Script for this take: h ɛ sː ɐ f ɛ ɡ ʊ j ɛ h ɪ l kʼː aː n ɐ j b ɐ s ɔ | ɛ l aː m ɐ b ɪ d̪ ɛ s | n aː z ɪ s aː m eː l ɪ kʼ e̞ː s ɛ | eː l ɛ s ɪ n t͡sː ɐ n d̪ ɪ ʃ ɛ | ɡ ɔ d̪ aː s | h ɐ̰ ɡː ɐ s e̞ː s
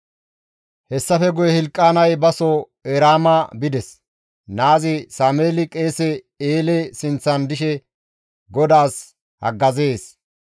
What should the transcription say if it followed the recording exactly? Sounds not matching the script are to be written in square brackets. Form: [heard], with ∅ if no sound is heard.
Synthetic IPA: h ɛ sː ɐ f ɛ ɡ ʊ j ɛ h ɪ l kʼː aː n ɐ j b ɐ s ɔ | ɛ [ɾ] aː m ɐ b ɪ d̪ ɛ s | n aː z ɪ s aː m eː l ɪ kʼ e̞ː s ɛ | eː l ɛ s ɪ n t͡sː ɐ n d̪ ɪ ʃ ɛ | ɡ ɔ d̪ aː s | h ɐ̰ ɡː ɐ [z] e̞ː s